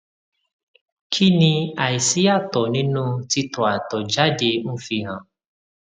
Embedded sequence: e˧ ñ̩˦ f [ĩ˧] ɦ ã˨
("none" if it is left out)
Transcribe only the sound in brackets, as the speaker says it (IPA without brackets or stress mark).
i˧